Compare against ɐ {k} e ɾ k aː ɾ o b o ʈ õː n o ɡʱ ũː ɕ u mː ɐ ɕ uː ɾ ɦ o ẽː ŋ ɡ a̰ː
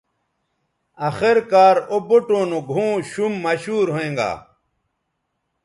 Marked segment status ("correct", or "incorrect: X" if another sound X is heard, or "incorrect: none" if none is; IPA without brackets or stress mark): incorrect: x